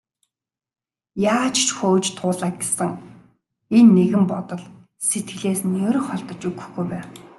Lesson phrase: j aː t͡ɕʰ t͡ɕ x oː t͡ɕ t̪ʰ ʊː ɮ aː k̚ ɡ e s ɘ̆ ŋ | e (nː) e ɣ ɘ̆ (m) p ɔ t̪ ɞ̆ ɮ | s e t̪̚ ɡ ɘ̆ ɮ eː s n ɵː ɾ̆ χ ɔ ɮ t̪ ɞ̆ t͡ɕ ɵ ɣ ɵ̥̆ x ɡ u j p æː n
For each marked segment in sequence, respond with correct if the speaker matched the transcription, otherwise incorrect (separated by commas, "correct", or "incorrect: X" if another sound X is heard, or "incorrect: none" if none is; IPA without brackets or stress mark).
correct, correct